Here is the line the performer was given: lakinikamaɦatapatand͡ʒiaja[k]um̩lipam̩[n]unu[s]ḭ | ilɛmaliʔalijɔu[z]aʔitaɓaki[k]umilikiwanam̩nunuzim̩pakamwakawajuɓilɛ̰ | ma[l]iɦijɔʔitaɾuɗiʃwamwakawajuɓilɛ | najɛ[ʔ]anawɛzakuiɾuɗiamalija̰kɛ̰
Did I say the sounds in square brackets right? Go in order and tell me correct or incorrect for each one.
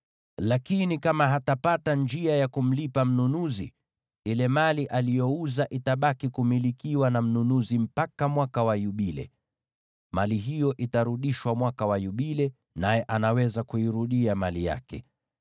correct, correct, incorrect: z, correct, correct, correct, correct

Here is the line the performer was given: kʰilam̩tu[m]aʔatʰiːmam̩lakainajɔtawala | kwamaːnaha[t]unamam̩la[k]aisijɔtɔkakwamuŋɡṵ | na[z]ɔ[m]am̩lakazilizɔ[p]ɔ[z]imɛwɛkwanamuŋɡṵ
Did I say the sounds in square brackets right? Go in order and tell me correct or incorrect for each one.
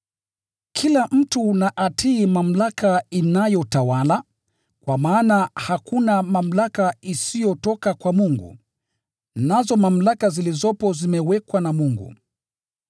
incorrect: n, incorrect: k, correct, correct, correct, correct, correct

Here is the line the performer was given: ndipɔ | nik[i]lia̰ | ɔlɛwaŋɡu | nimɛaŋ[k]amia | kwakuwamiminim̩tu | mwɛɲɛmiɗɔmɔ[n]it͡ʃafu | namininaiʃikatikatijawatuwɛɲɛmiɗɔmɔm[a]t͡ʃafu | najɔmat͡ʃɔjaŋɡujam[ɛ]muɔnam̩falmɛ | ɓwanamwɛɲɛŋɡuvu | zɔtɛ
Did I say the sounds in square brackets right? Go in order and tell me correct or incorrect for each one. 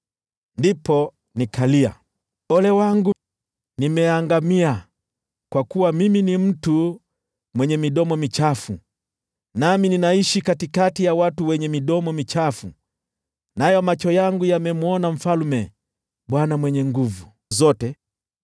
incorrect: a, incorrect: ɡ, incorrect: m, incorrect: i, correct

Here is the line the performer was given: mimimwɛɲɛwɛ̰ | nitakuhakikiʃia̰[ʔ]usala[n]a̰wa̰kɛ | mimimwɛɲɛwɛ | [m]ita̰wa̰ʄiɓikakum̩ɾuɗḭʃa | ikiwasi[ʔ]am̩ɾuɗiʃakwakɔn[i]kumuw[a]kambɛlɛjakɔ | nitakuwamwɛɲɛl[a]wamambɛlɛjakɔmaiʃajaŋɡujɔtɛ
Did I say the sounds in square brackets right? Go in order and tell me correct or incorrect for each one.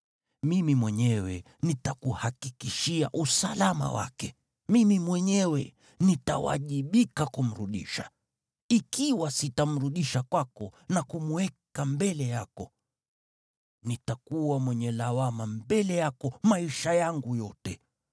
correct, incorrect: m, incorrect: n, incorrect: t, incorrect: a, incorrect: ɛ, correct

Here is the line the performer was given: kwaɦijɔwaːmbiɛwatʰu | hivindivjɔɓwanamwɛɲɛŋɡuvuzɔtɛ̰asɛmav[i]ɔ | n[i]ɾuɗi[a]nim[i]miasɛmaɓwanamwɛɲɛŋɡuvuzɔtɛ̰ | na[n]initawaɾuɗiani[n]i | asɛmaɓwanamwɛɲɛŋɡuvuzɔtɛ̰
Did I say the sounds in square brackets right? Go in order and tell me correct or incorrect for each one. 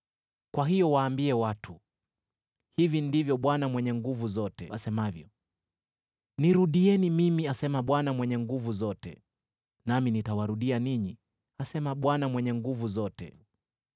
incorrect: j, correct, incorrect: ɛ, correct, incorrect: m, incorrect: ɲ

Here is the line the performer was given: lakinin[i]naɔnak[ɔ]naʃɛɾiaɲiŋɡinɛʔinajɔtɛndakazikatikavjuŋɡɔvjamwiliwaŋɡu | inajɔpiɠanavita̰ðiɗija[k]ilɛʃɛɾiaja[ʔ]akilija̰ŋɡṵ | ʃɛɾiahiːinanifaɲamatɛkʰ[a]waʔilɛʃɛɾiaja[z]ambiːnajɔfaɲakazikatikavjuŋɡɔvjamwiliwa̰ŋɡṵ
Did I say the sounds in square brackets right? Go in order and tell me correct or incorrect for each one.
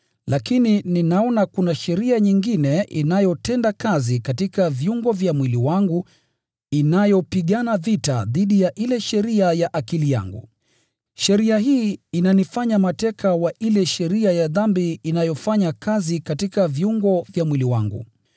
correct, incorrect: u, incorrect: ʔ, correct, correct, incorrect: ð

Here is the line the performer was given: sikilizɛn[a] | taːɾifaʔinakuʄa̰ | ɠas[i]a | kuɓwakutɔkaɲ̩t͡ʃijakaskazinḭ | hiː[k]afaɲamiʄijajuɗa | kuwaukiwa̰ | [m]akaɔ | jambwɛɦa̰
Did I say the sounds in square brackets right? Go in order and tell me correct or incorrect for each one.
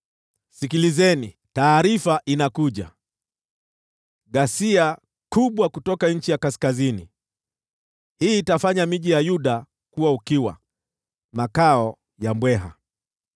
incorrect: i, correct, incorrect: t, correct

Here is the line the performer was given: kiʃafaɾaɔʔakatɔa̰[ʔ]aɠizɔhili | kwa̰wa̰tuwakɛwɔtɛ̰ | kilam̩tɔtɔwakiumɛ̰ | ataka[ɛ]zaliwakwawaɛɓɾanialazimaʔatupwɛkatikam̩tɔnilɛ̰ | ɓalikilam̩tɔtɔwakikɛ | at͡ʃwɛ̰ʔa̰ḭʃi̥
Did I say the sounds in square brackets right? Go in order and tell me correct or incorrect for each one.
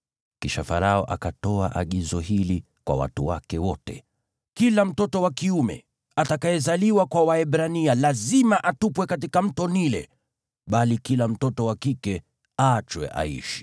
correct, correct

